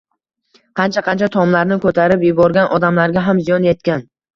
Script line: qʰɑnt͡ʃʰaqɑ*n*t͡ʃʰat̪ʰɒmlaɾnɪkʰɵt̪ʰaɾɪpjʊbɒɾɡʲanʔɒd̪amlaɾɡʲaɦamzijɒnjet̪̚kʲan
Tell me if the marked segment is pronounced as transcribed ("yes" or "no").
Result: yes